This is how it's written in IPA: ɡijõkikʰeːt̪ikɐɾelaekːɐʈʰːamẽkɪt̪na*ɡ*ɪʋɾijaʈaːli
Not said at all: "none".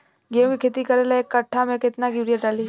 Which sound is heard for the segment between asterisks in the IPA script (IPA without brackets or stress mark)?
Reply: ɡ